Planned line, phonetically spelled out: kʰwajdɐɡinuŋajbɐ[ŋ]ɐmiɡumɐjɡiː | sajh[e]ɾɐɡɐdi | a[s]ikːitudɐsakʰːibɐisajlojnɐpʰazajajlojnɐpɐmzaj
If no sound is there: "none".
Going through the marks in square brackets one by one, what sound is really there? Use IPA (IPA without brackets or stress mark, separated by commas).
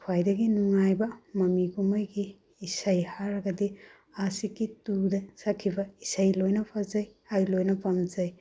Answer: m, a, s